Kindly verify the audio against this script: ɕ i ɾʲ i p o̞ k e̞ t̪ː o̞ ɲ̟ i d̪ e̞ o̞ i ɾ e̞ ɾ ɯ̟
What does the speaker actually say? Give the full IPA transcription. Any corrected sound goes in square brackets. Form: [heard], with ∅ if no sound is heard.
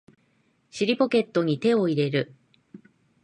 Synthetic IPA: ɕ i ɾʲ i p o̞ k e̞ t̪ː o̞ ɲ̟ i [t̪] e̞ o̞ i ɾ e̞ ɾ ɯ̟